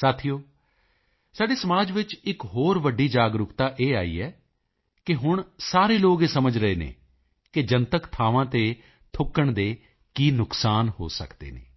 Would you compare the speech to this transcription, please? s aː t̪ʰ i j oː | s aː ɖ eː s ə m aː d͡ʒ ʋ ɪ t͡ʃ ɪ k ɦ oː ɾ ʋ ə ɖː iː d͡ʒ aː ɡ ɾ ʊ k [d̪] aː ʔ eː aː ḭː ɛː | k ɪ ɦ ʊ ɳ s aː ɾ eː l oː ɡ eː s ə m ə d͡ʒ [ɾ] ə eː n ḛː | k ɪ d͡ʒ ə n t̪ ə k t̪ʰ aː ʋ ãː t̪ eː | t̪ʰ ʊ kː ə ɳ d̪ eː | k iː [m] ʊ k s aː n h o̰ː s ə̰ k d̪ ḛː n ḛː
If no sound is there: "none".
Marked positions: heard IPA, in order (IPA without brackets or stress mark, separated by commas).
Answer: t̪, ɾ, n